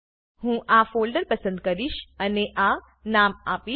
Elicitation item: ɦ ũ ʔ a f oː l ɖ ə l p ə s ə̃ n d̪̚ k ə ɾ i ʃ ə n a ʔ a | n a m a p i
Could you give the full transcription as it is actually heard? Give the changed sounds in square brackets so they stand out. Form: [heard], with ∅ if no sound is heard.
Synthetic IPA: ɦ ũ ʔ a f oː l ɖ ə [ɾ] p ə s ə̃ n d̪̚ k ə ɾ i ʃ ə n [e] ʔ a | n a m a p i